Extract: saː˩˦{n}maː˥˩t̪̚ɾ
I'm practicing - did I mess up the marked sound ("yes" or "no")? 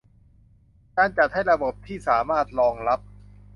yes